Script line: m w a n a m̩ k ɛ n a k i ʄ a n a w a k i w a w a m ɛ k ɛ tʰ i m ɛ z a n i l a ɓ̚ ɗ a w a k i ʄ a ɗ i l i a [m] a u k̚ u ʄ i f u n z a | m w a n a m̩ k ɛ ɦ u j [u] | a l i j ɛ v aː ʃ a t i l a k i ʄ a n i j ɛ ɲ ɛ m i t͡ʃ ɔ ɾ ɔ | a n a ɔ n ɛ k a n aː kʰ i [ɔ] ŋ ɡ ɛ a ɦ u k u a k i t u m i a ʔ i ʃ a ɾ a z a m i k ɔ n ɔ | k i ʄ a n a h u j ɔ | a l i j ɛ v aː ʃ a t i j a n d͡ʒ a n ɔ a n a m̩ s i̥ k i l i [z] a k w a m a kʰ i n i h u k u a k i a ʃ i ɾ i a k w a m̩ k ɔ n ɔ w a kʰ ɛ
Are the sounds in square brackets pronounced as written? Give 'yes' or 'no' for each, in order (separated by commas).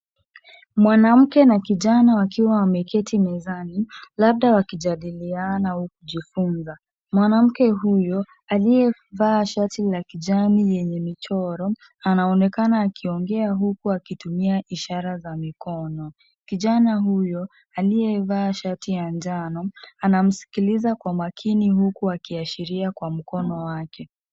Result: no, no, yes, yes